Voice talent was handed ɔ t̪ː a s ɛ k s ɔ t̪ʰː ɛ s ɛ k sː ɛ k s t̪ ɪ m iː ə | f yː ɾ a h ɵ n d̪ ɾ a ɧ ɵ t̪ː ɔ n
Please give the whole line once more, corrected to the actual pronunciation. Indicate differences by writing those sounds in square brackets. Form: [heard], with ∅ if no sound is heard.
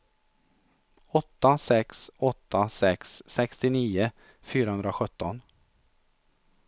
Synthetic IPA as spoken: ɔ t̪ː a s ɛ k s ɔ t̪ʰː [a] s ɛ k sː ɛ k s t̪ ɪ [n] iː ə | f yː ɾ a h ɵ n d̪ ɾ a ɧ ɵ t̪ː ɔ n

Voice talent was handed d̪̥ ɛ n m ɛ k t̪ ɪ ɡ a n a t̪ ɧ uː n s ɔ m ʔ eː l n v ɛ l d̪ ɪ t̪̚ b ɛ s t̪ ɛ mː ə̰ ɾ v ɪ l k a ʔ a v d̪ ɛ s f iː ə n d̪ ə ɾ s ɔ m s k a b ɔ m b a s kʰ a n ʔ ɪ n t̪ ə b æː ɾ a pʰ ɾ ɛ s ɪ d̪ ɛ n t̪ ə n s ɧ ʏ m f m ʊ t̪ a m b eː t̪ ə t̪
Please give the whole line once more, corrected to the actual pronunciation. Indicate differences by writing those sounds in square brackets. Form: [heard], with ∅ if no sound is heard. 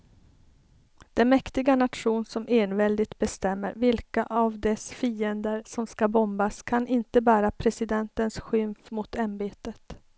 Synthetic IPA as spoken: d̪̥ ɛ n m ɛ k t̪ ɪ ɡ a n a t̪ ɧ uː n s ɔ m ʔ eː [∅] n v ɛ l d̪ ɪ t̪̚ b ɛ s t̪ ɛ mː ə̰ ɾ v ɪ l k a ʔ a v d̪ ɛ s f iː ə n d̪ ə ɾ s ɔ m s k a b ɔ m b a s kʰ a n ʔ ɪ n t̪ ə b æː ɾ a pʰ ɾ ɛ s ɪ d̪ ɛ n t̪ ə n s ɧ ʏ m f m ʊ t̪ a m b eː t̪ ə t̪

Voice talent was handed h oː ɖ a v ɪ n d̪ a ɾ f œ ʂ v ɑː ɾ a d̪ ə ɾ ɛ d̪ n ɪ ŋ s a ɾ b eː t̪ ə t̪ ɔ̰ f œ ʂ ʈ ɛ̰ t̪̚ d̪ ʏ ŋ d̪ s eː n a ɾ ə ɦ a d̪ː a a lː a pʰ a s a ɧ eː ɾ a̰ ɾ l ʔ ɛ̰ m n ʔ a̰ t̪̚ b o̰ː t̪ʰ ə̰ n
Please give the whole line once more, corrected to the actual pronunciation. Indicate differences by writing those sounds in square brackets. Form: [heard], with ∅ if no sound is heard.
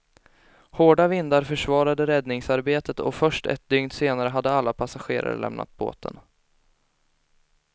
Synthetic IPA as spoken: h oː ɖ a v ɪ n d̪ a ɾ f œ ʂ v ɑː ɾ a d̪ ə ɾ ɛ d̪ n ɪ ŋ s a ɾ b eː t̪ ə t̪ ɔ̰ f œ ʂ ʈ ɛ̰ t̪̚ d̪ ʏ ŋ d̪ s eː n a ɾ ə ɦ a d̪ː [ə] a lː a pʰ a s a ɧ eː ɾ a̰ ɾ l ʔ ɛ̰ m n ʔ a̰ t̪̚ b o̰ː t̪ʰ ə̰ n

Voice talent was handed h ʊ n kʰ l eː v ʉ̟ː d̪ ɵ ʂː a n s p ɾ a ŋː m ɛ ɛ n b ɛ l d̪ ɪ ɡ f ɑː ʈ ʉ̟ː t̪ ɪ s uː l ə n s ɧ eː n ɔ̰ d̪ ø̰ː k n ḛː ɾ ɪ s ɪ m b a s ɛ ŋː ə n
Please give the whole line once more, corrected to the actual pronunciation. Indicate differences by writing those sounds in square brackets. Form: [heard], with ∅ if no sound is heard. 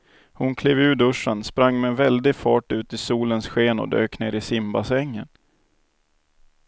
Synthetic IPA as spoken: h ʊ n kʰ l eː v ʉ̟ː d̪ ɵ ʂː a n s p ɾ a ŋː m ɛ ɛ n [v] ɛ l d̪ ɪ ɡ f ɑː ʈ ʉ̟ː t̪ ɪ s uː l ə n s ɧ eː n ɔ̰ d̪ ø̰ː k n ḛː ɾ ɪ s ɪ m b a s ɛ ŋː ə n

